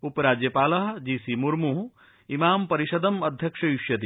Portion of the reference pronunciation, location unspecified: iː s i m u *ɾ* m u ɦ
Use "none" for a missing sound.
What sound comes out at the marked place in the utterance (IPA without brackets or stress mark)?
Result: ɾ